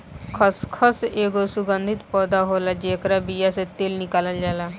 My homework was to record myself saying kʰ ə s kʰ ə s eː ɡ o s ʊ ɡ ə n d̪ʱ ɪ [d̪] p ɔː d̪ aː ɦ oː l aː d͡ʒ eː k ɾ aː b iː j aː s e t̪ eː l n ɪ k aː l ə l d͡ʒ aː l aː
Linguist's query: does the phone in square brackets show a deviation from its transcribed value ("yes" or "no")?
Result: yes